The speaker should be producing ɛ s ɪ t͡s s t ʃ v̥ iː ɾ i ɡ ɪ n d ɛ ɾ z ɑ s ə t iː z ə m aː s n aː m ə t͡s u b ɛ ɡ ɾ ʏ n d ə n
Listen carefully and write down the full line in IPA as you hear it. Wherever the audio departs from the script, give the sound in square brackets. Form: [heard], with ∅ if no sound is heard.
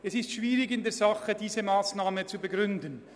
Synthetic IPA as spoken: ɛ s ɪ [∅] s t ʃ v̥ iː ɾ [ɪ] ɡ ɪ n d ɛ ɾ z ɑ [χ] ə [d] iː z ə m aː s n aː m ə t͡s u b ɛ ɡ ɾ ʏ n d ə n

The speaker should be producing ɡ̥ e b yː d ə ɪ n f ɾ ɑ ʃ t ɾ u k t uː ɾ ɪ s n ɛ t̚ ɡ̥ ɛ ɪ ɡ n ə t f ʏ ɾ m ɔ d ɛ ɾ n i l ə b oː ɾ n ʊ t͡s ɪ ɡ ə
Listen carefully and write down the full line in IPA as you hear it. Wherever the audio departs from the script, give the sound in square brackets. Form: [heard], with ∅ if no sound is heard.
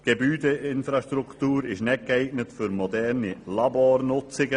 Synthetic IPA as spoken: ɡ̥ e b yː d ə ɪ n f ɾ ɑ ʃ t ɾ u k t uː ɾ ɪ [ʃ] n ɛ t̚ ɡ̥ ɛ ɪ ɡ n ə t f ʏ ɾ m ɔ d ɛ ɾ n i l [ɑ] b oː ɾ n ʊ t͡s ɪ ɡ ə

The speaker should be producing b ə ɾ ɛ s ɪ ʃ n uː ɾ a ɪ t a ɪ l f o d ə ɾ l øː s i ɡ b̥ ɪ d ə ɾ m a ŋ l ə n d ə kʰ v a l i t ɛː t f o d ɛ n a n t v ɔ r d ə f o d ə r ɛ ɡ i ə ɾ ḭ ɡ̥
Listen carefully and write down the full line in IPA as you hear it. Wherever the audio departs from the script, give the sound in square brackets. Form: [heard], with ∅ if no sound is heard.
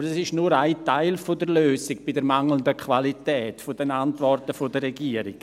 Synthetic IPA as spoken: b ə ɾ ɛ s ɪ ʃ n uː ɾ a ɪ t a ɪ l f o d ə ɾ l øː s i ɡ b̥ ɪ d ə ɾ m a ŋ l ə n d ə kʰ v a l i t ɛː t f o d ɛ n a n t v ɔ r [t] ə f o d ə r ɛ ɡ i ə ɾ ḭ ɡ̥

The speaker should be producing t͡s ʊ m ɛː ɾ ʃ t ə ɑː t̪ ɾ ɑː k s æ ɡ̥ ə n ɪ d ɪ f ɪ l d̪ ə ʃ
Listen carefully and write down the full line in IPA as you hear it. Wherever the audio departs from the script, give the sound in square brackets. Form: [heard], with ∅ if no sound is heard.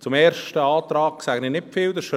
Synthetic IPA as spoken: t͡s ʊ m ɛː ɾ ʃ t ə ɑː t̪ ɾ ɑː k s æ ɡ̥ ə n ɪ [n] ɪ f ɪ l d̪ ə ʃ

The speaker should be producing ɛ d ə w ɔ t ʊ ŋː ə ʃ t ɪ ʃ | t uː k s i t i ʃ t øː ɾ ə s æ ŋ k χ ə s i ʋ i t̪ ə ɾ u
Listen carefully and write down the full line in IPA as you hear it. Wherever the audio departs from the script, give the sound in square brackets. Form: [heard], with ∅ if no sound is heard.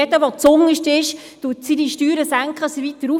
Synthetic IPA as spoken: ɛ d ə [ʋ] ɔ [t͡s] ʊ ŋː ə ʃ t ɪ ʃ | t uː [t] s i [d] i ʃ t [yː] ɾ ə s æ ŋ k χ ə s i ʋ i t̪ ə ɾ u

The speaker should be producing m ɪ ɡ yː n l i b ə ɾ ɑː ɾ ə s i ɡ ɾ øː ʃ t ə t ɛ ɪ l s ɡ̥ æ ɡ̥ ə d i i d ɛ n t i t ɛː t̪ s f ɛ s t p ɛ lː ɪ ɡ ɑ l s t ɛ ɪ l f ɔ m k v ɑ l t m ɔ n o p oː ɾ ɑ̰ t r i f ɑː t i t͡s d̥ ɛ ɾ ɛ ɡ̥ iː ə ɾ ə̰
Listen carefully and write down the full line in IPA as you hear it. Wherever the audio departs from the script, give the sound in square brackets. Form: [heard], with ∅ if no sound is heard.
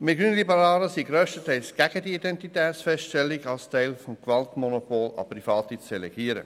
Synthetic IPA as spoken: m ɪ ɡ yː n l i b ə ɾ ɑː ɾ ə s i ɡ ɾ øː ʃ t ə t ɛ ɪ l s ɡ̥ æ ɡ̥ ə d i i d ɛ n t i t ɛː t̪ s f ɛ s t [t] ɛ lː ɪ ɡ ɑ l s t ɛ ɪ l f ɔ m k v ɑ l t m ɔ n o p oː [l] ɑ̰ [p] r i f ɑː t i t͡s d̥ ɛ [l] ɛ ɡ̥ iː ə ɾ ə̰

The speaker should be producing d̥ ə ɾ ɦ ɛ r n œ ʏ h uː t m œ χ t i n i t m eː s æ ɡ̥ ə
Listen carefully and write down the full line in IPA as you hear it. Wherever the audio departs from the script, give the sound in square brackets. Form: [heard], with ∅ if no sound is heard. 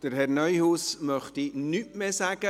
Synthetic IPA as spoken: d̥ ə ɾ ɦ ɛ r n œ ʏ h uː [s] m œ χ t i n [y] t m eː s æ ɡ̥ ə

